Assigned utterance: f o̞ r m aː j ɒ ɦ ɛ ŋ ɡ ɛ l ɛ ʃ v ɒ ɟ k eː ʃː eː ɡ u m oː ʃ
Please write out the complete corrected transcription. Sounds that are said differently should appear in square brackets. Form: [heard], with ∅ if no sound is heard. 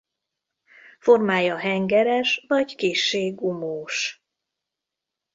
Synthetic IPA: f o̞ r m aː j ɒ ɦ ɛ ŋ ɡ ɛ [ɾ] ɛ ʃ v ɒ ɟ k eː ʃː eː ɡ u m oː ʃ